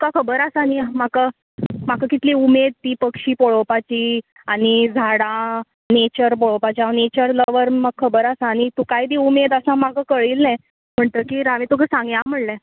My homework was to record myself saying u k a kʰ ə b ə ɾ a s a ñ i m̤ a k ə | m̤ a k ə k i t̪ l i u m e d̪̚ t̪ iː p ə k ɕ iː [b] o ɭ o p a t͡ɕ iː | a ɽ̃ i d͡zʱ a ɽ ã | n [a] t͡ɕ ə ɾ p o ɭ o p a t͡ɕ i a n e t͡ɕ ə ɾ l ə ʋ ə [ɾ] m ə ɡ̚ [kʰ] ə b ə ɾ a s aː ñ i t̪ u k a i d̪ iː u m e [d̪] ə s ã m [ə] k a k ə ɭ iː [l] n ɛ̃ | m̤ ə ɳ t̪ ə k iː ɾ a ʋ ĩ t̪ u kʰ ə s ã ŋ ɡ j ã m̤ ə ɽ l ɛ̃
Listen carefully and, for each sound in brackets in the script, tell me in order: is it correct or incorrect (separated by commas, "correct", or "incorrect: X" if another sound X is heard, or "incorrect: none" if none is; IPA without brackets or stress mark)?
incorrect: p, incorrect: e, correct, correct, correct, incorrect: a, correct